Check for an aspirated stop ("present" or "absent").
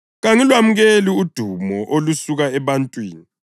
absent